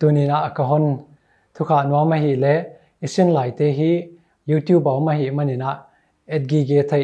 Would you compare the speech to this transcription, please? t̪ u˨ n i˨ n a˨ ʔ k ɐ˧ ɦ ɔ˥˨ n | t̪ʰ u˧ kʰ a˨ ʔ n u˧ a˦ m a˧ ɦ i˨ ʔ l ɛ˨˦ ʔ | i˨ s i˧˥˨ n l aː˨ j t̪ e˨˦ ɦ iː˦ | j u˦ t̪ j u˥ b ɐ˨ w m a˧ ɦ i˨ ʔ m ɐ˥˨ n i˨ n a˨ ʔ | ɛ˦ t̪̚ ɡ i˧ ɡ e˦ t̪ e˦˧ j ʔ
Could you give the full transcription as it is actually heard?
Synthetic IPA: t̪ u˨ n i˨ n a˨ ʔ k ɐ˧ ɦ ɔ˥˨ n | t̪ʰ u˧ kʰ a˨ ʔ n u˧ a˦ m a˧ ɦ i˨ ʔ l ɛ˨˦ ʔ | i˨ s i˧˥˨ n l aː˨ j t̪ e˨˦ ɦ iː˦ | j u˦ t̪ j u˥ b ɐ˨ w m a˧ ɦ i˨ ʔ m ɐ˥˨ n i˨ n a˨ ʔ | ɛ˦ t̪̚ ɡ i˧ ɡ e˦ t̪ʰ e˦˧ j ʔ

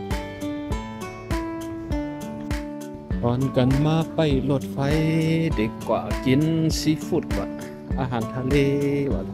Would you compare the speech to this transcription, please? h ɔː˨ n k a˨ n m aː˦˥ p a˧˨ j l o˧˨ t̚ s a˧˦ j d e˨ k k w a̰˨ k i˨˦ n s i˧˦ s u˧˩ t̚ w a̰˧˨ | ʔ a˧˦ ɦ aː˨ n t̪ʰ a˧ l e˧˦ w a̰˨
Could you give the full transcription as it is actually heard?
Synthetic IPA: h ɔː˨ n k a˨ n m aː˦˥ p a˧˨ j l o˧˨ t̚ f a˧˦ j d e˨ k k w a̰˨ k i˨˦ n s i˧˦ f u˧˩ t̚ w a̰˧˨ | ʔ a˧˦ ɦ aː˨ n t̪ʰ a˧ l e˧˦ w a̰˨

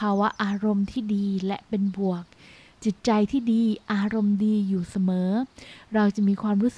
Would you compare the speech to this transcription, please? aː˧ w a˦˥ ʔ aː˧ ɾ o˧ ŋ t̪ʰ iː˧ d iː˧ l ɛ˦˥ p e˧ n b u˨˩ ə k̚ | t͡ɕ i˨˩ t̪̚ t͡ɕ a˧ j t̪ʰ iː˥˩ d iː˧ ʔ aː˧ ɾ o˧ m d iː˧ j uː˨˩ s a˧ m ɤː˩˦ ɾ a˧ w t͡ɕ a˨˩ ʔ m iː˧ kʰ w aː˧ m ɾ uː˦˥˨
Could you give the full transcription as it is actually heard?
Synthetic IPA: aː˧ w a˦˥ ʔ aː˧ ɾ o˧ m t̪ʰ iː˥˩ d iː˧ l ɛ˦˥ p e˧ n b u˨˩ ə k̚ | t͡ɕ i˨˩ t̪̚ t͡ɕ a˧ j t̪ʰ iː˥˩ d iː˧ ʔ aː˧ ɾ o˧ m d iː˧ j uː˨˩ s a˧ m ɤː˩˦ ɾ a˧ w t͡ɕ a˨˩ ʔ m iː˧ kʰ w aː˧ m ɾ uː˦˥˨

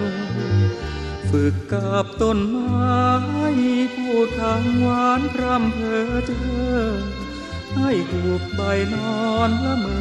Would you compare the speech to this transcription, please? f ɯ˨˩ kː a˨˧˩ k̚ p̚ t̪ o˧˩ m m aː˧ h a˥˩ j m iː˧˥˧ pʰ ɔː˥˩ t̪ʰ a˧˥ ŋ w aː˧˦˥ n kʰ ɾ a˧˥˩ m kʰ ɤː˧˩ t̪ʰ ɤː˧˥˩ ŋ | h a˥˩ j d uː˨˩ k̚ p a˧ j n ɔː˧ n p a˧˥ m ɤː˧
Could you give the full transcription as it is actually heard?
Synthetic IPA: f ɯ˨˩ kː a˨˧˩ p̚ t̪ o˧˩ n m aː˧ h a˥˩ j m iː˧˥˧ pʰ uː˥˩ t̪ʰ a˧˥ ŋ w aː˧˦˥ n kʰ ɾ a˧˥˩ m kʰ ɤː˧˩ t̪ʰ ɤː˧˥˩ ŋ | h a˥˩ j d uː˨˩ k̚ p a˧ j n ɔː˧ n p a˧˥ m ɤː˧

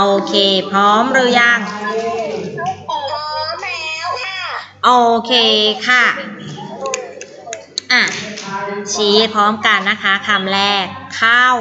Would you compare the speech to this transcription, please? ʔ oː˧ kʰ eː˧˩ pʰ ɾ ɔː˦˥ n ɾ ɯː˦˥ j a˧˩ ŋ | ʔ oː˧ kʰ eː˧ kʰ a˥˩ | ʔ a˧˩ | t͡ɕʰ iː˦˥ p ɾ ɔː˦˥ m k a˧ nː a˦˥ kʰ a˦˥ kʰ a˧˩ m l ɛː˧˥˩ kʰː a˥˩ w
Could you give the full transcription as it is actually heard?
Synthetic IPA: ʔ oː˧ kʰ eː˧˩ pʰ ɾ ɔː˦˥ m ɾ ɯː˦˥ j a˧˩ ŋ | ʔ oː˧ kʰ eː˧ kʰ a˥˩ | ʔ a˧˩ | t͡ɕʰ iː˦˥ pʰ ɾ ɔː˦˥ m k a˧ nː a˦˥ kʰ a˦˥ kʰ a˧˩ m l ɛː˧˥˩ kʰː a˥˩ w

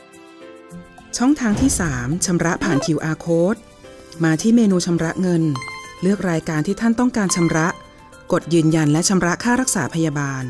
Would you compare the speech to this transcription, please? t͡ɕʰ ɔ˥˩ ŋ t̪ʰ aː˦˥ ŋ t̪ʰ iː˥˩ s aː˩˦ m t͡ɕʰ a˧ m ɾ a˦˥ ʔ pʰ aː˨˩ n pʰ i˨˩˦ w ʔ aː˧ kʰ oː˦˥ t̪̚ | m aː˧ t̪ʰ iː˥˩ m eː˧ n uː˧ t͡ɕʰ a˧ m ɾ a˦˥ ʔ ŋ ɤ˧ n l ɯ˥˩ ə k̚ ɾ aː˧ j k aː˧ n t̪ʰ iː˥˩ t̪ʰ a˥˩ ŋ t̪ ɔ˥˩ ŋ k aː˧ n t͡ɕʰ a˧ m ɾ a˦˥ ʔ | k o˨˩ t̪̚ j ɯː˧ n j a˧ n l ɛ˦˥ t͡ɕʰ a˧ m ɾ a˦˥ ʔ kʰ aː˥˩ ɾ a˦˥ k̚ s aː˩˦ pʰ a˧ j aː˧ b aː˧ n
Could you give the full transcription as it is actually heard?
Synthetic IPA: t͡ɕʰ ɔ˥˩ ŋ t̪ʰ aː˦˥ ŋ t̪ʰ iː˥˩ s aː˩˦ m t͡ɕʰ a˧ m ɾ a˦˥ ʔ pʰ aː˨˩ n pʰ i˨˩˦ w ʔ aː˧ kʰ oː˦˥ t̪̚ | m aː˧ t̪ʰ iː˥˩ m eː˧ n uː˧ t͡ɕʰ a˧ m ɾ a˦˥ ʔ ŋ ɤ˧ n l ɯ˥˩ ə k̚ ɾ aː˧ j k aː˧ n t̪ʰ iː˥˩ t̪ʰ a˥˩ n t̪ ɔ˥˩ ŋ k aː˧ n t͡ɕʰ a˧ m ɾ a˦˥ ʔ | k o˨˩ t̪̚ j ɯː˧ n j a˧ n l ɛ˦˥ t͡ɕʰ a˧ m ɾ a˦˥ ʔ kʰ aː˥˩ ɾ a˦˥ k̚ s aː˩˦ pʰ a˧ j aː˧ b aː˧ n

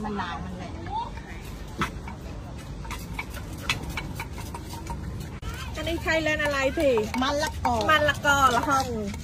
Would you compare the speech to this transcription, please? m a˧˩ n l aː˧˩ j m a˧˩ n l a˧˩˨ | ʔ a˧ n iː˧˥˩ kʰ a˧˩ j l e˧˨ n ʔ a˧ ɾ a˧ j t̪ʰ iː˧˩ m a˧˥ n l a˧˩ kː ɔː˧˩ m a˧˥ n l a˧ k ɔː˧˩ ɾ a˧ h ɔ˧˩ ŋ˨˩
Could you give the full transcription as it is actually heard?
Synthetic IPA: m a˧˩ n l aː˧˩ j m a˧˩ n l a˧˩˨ | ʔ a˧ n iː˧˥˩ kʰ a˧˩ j l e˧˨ n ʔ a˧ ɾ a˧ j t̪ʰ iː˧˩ m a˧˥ n l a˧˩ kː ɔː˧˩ m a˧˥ n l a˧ k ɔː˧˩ l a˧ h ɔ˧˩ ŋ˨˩

